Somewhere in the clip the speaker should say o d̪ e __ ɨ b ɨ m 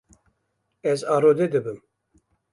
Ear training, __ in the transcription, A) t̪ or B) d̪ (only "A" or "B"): B